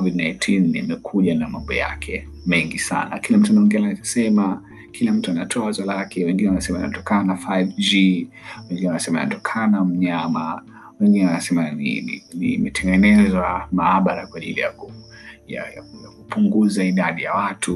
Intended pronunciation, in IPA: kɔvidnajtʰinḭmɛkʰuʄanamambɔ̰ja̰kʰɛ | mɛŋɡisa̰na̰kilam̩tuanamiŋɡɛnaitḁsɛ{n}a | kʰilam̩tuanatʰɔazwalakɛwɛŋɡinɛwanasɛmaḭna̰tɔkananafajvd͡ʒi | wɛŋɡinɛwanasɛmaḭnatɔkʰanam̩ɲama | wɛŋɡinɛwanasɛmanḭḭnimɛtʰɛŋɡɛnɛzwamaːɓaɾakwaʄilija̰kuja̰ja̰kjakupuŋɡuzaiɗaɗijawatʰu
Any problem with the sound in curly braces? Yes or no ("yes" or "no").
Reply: yes